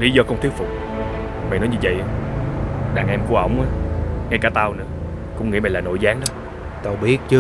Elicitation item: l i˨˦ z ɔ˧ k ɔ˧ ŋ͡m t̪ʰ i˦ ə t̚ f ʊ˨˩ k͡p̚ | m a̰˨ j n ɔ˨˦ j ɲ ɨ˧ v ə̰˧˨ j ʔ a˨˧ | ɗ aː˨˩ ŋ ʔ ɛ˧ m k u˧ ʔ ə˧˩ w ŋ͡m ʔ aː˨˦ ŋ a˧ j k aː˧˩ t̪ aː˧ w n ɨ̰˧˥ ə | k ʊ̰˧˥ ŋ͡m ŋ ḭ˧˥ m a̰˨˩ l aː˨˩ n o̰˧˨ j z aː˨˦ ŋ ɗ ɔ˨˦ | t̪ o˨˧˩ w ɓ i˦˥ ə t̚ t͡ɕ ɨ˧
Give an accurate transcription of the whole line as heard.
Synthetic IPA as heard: l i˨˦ z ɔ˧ k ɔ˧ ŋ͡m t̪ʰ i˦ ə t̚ f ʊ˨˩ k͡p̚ | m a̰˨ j n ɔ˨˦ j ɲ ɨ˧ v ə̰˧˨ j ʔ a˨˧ | ɗ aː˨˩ ŋ ʔ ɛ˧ m k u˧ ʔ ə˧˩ w ŋ͡m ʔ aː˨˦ ŋ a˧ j k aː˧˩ t̪ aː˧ w n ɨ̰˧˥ ə | k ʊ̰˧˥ ŋ͡m ŋ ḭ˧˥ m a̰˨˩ l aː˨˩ n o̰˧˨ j z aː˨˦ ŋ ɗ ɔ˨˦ | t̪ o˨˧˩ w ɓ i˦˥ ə t̚ t͡ɕ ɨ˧